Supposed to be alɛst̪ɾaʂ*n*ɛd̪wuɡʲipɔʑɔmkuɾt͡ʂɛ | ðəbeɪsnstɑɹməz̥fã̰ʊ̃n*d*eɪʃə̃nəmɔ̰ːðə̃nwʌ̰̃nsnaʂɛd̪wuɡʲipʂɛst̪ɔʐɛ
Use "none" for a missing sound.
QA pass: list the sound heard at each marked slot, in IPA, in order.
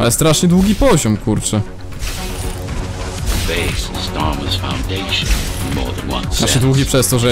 ɲ, d

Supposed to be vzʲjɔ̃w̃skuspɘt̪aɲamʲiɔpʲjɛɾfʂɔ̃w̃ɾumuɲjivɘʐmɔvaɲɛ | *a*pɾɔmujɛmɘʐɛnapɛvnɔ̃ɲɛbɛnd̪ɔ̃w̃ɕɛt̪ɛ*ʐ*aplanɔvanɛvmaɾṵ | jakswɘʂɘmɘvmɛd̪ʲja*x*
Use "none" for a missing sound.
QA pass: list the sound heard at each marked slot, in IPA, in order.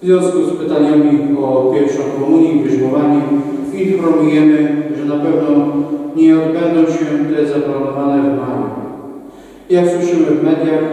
i, z, x

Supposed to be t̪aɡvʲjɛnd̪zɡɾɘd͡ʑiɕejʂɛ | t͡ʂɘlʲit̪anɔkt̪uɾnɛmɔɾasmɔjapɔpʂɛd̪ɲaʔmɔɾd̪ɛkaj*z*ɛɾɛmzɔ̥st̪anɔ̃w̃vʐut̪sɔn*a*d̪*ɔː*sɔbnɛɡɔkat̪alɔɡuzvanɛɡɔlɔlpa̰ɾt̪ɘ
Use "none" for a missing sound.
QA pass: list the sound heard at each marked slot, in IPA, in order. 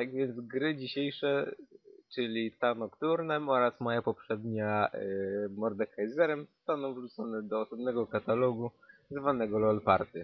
z, ɛ, ɔː

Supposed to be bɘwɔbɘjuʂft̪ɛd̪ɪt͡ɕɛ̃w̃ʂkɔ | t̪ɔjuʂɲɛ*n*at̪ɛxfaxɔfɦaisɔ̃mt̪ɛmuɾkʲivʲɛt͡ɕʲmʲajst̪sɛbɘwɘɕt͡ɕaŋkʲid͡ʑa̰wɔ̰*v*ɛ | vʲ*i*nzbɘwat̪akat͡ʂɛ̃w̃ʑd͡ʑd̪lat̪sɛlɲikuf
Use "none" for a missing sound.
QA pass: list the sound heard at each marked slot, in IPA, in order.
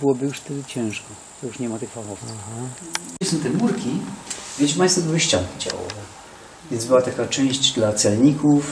m, v, ɛ

